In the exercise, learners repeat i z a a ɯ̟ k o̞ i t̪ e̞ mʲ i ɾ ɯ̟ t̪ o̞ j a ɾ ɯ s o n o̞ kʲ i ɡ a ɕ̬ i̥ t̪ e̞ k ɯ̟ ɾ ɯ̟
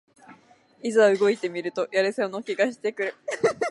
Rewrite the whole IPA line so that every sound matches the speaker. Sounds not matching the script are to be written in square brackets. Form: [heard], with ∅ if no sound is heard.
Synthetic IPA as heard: i z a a ɯ̟ [ɡ] o̞ i t̪ e̞ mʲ i ɾ ɯ̟ t̪ o̞ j a ɾ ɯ s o n o̞ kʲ i ɡ a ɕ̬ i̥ t̪ e̞ k ɯ̟ ɾ ɯ̟